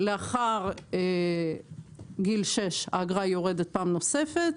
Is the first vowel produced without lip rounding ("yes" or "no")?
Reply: yes